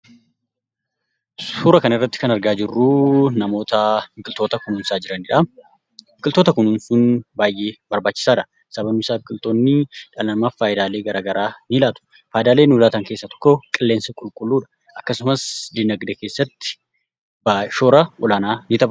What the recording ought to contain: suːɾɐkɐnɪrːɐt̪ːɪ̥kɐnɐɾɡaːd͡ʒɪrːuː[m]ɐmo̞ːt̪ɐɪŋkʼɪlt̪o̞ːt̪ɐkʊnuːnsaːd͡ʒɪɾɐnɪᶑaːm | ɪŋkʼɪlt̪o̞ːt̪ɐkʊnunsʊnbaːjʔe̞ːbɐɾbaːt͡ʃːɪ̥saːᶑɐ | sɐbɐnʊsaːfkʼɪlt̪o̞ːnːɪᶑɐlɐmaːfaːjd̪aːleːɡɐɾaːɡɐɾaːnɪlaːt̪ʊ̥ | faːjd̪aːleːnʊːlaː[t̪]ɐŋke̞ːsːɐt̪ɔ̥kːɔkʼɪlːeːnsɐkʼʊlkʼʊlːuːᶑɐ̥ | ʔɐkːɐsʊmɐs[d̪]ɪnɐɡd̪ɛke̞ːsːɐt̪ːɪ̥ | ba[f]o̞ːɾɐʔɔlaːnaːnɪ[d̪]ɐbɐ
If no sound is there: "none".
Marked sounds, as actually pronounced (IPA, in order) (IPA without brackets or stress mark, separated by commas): n, t̪, d̪, ʃ, t̪